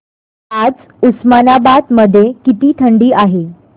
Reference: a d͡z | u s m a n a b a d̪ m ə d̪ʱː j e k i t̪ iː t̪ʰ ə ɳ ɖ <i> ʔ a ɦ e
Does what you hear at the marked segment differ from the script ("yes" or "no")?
yes